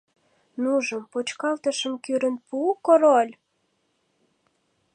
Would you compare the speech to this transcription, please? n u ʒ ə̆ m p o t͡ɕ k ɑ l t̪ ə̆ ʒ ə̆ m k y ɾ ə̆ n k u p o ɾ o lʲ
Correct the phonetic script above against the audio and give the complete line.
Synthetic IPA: n u ʒ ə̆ m p o t͡ɕ k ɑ l t̪ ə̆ ʃ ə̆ m k y ɾ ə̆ n p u k o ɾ o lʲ